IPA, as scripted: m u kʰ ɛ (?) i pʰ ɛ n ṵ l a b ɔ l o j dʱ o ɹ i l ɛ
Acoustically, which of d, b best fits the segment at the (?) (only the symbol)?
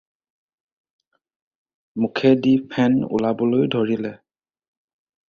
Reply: d